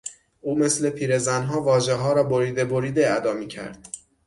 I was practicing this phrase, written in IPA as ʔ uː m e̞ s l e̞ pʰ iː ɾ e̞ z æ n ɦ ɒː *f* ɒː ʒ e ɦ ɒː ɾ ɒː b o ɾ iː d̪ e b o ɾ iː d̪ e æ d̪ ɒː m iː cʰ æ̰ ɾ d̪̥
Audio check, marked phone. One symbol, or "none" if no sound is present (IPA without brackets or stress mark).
v